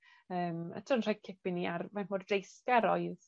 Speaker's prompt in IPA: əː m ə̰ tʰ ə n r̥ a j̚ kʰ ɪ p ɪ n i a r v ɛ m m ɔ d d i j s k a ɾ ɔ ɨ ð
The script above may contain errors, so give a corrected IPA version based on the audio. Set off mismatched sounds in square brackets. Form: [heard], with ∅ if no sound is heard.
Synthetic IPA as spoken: əː m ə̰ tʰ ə n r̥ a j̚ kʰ ɪ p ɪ n i a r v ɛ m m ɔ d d [e] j s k a ɾ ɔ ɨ ð